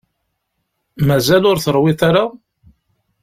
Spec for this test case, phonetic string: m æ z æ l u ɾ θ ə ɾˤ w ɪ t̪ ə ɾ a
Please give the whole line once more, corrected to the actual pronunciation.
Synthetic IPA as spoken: m æ z æ l ʊ ɾ θ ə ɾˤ w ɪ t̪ a ɾ a